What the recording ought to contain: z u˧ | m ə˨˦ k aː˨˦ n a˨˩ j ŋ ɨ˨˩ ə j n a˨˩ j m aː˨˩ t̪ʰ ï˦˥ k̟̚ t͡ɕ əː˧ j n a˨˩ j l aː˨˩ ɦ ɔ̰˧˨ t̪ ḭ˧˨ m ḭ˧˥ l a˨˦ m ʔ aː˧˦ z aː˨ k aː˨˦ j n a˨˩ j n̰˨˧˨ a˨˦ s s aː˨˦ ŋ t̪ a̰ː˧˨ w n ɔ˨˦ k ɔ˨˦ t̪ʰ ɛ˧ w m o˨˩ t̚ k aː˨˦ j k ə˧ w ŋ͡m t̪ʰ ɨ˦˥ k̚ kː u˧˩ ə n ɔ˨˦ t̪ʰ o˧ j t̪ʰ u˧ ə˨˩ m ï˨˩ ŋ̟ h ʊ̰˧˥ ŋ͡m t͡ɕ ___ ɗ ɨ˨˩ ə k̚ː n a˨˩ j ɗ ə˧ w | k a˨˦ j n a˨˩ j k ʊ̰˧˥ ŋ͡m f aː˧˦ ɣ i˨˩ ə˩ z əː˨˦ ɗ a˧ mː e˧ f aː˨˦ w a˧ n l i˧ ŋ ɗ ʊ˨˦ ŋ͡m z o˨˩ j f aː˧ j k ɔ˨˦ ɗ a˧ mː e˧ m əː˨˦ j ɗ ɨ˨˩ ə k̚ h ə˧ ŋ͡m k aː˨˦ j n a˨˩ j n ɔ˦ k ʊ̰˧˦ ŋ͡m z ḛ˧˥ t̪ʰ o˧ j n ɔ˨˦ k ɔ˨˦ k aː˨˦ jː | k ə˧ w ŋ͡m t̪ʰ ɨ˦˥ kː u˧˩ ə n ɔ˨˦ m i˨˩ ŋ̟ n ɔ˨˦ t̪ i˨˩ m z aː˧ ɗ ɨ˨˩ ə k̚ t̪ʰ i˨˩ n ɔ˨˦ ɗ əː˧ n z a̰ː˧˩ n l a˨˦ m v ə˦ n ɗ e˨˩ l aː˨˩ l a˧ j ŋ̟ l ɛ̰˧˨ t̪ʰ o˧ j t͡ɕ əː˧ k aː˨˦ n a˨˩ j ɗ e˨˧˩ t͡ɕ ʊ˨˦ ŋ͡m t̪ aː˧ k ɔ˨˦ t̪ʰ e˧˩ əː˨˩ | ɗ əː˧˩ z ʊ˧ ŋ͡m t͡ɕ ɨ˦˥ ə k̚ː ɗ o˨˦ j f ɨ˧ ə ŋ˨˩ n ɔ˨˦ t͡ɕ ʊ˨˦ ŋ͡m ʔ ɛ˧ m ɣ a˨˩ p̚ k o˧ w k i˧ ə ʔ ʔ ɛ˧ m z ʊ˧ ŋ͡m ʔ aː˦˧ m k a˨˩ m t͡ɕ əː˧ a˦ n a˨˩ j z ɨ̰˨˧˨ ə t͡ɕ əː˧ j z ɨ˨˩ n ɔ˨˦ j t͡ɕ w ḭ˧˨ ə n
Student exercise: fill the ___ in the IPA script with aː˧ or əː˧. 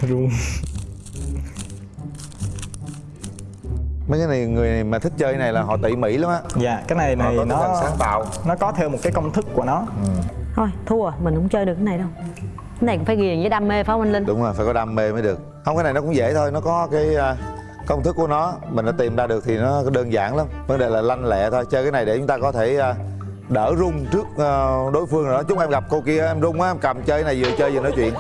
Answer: əː˧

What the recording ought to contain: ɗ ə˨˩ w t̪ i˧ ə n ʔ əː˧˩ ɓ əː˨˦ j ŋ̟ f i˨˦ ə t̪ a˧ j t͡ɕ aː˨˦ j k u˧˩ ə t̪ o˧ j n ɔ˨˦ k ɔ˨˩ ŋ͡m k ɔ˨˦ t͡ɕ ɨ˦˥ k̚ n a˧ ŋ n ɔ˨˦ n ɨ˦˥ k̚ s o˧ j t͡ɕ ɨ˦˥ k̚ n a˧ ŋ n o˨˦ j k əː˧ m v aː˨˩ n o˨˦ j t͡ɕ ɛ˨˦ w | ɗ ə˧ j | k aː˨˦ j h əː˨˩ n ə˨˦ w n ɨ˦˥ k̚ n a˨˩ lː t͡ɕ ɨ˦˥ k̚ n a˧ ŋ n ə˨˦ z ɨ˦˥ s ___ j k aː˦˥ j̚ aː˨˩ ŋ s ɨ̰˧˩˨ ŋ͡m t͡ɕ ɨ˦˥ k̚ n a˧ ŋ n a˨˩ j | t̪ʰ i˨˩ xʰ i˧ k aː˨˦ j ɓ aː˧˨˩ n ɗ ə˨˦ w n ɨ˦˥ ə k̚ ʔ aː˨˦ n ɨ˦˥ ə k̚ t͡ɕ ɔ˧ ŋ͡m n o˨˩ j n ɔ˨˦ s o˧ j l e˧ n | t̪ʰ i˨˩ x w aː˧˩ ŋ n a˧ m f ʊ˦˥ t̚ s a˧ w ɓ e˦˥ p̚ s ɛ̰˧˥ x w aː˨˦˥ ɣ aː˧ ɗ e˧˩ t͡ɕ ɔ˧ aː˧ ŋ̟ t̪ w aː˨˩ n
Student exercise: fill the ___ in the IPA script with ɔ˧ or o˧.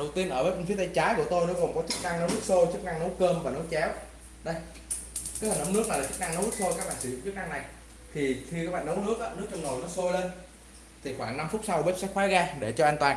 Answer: o˧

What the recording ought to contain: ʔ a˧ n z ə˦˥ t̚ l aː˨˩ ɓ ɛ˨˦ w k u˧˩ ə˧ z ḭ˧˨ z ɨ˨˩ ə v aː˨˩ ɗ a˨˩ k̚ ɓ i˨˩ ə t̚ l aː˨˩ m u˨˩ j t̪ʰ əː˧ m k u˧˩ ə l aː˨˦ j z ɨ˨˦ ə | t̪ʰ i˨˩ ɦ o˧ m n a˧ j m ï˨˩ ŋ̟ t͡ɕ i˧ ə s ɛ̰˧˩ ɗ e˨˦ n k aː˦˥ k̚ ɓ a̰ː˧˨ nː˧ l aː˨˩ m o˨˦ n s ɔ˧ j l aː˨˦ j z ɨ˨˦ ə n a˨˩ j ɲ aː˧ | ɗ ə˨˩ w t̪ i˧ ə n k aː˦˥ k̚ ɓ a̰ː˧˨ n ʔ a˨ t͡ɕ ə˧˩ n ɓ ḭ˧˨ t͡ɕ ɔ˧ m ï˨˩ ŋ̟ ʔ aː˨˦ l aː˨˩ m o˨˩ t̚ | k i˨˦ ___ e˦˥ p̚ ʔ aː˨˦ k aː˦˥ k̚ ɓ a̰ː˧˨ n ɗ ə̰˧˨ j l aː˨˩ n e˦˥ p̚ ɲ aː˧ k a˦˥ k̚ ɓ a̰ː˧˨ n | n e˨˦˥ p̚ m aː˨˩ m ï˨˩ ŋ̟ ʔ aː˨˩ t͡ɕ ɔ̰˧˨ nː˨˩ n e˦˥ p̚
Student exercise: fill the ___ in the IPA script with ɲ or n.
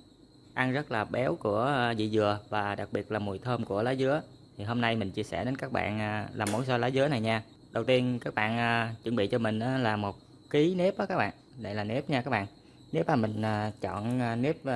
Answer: n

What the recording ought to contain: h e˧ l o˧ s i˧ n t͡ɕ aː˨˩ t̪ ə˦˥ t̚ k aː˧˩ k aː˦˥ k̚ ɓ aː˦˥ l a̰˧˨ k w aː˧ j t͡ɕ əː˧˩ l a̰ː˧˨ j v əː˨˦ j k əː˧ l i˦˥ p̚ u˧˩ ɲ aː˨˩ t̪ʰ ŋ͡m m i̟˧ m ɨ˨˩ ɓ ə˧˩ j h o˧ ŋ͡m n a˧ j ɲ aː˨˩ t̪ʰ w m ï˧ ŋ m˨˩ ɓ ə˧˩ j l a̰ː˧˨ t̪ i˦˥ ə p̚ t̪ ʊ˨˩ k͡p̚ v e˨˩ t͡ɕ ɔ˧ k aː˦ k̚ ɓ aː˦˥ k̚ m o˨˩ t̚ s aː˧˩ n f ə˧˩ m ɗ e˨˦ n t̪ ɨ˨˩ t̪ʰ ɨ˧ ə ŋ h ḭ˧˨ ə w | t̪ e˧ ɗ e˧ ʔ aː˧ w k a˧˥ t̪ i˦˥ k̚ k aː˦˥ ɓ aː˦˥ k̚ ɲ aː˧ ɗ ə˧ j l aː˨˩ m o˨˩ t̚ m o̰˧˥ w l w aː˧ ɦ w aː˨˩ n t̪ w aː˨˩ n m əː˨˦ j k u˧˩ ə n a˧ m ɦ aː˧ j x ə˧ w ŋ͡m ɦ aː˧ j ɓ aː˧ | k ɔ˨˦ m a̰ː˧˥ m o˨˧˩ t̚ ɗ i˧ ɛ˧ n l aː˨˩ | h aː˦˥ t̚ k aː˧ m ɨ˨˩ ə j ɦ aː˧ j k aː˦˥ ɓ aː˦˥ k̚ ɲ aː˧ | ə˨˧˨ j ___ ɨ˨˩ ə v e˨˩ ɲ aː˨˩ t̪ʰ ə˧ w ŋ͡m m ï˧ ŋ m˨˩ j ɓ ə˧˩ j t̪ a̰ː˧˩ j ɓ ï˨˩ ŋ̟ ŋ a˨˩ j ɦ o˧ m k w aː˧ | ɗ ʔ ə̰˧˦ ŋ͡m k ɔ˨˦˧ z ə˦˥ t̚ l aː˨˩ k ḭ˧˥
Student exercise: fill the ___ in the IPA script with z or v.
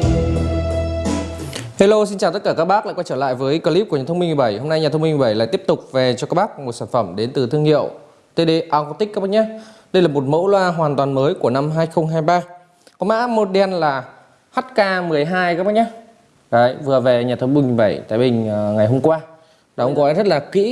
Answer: v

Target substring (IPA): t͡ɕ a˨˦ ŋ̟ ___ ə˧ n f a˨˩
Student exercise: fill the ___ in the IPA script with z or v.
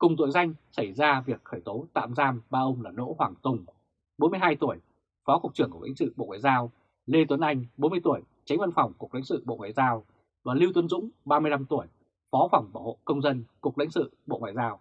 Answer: v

